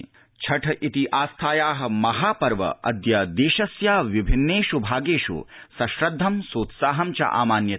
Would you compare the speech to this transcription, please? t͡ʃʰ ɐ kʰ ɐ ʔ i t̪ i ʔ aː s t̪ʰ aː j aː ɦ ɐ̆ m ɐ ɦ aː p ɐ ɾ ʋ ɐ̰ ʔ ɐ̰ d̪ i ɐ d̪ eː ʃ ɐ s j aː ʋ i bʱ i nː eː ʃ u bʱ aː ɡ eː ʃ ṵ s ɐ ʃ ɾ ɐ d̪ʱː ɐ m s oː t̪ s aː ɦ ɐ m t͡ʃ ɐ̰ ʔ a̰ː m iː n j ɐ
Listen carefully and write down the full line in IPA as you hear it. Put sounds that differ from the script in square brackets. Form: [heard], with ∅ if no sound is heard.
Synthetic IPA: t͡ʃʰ ɐ [ʈʰ] ɐ ʔ i t̪ i ʔ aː s t̪ʰ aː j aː ɦ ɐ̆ m ɐ ɦ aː p ɐ ɾ ʋ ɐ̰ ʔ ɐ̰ d̪ [j] ɐ d̪ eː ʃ ɐ s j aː ʋ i bʱ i nː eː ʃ u bʱ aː ɡ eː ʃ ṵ s ɐ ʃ ɾ ɐ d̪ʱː ɐ m s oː t̪ s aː ɦ ɐ m t͡ʃ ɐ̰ ʔ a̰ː m [aː] n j ɐ